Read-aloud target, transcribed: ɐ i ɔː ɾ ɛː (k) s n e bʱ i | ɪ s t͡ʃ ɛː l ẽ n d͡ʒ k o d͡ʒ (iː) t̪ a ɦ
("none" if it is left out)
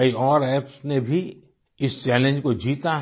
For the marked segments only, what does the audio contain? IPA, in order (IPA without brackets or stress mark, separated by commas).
p, iː